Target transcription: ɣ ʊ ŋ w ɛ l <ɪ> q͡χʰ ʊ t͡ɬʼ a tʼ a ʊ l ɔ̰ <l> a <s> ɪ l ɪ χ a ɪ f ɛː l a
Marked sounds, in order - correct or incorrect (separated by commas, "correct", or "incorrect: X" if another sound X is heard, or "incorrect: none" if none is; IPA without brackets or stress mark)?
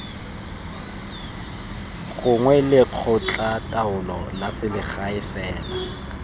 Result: correct, correct, correct